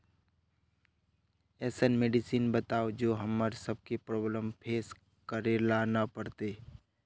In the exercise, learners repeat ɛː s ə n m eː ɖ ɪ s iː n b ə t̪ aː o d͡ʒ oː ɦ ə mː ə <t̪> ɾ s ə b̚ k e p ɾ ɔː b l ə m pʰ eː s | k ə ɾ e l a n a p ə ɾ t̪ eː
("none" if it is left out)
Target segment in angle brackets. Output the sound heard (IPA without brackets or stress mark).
none